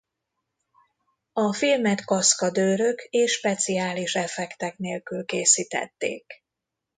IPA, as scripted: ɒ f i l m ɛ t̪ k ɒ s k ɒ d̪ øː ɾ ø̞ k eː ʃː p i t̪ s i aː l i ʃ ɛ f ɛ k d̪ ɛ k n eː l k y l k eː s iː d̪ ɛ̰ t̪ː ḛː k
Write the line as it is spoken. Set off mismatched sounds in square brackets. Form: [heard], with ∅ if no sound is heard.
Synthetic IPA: ɒ f i l m ɛ t̪ k ɒ s k ɒ d̪ øː ɾ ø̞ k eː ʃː p [ɛ] t̪ s i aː l i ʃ ɛ f ɛ k [t̪] ɛ k n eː l k y l k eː s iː [t̪] ɛ̰ t̪ː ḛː k